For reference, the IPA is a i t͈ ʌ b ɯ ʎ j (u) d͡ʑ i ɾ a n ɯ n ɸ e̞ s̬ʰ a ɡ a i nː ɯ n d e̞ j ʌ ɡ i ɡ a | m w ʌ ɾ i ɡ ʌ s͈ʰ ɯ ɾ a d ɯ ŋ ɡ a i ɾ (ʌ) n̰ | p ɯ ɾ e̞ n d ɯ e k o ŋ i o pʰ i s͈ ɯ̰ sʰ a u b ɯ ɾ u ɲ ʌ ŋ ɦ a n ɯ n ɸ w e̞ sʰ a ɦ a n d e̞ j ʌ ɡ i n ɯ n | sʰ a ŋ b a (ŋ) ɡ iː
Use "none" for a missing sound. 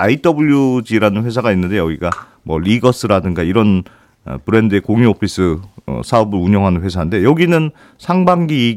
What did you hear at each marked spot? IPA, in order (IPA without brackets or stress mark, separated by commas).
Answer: u, ʌ, ŋ